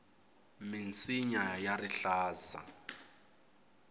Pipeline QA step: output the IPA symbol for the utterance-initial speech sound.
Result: m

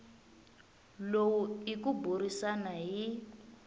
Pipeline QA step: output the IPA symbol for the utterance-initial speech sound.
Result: l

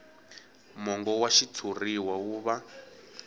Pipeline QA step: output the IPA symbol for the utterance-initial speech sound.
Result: m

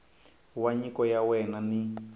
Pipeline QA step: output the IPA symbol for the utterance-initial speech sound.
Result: w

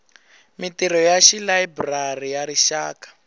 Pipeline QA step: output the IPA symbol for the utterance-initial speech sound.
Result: m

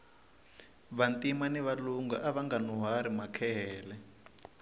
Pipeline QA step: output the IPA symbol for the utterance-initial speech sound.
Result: β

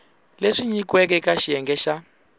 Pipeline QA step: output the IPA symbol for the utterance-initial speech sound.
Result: l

